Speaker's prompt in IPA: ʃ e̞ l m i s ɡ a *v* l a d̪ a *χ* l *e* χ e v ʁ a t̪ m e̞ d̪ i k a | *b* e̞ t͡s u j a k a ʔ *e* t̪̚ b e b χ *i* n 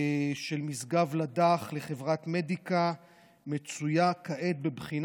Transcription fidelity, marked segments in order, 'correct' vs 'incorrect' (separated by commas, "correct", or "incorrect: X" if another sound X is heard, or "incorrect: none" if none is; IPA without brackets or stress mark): correct, correct, correct, incorrect: m, correct, correct